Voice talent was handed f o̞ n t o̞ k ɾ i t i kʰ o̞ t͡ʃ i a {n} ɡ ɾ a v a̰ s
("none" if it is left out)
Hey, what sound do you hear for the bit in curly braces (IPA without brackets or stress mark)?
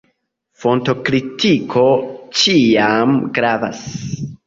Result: m